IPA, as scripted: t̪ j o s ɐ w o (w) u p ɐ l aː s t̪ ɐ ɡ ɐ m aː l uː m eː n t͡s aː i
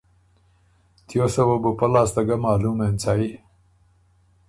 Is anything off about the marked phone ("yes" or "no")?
yes